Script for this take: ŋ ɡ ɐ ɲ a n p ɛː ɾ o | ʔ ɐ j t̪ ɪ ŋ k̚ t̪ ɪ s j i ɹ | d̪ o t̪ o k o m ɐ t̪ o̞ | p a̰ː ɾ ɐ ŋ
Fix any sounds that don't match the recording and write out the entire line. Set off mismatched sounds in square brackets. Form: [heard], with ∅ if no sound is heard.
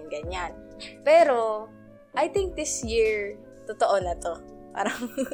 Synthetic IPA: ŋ ɡ ɐ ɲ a n p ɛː ɾ o | ʔ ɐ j t̪ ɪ ŋ k̚ [d̪] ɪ s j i ɹ | [t̪] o t̪ o [ʔ] o [n] ɐ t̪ o̞ | p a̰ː ɾ ɐ ŋ